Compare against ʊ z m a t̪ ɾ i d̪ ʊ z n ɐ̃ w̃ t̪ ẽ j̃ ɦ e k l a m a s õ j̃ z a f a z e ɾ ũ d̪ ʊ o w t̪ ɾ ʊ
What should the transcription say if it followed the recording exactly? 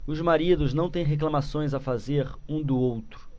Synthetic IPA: ʊ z m a ɾ i d̪ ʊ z n ɐ̃ w̃ t̪ ẽ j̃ ɦ e k l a m a s õ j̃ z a f a z e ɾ ũ d̪ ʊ o w t̪ ɾ ʊ